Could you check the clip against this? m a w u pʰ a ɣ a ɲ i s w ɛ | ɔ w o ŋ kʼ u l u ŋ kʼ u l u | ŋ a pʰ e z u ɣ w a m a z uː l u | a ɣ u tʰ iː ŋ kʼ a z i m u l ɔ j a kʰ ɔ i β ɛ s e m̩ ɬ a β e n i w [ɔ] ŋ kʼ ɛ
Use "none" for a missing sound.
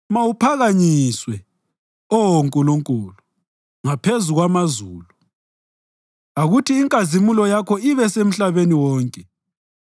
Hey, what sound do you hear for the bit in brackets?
ɔː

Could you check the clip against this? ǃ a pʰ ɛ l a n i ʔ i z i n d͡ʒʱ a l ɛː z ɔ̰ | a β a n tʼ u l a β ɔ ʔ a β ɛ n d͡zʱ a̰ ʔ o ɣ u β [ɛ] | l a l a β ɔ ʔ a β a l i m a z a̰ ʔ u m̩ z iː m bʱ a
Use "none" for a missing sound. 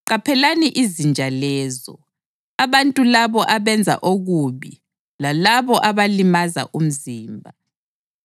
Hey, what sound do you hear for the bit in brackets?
i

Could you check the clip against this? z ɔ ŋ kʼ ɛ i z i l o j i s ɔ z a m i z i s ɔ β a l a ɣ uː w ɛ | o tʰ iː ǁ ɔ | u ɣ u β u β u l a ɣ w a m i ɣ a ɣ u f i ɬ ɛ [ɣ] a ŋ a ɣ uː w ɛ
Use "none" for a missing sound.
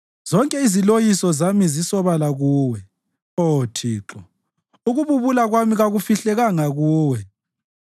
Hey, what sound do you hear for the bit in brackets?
ɣ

